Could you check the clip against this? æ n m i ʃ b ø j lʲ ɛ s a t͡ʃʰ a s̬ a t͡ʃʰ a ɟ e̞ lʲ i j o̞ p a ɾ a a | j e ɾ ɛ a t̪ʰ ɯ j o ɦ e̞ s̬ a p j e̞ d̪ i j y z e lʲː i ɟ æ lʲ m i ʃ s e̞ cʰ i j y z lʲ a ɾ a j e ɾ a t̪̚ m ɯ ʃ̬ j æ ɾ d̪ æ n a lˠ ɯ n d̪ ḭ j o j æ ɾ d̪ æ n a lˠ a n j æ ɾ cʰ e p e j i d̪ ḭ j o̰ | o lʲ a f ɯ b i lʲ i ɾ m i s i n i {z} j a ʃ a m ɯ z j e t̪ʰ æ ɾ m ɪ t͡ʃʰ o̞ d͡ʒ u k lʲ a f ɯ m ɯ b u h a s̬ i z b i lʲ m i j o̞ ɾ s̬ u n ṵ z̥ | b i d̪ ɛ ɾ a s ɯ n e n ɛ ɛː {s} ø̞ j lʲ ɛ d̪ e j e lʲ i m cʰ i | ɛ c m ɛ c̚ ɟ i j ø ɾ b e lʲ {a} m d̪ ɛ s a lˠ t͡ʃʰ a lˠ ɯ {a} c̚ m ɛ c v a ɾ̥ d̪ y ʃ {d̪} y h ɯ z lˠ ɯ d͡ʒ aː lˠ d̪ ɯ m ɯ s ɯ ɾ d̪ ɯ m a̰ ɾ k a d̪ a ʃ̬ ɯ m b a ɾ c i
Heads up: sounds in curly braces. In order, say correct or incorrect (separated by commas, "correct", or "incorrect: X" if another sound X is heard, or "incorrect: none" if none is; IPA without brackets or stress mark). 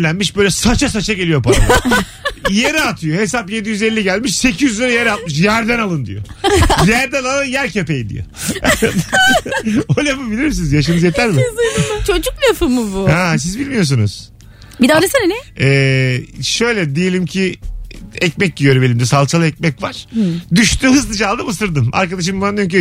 correct, incorrect: ʃ, incorrect: i, incorrect: ɛ, incorrect: t̪